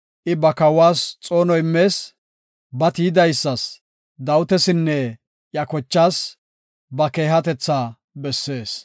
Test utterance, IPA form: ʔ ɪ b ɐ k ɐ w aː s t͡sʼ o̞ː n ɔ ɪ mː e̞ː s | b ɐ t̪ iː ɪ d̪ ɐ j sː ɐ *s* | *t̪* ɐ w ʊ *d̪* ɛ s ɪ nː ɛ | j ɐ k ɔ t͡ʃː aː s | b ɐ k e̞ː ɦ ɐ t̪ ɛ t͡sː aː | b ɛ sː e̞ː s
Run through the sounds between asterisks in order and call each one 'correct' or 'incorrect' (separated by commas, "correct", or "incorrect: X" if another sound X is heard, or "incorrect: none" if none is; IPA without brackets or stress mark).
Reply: correct, incorrect: d̪, incorrect: t̪